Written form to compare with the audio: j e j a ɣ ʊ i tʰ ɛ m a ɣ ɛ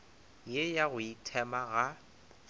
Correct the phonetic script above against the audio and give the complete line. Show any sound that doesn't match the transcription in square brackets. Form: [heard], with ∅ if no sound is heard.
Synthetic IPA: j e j a ɣ ʊ i tʰ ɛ m a ɣ [a]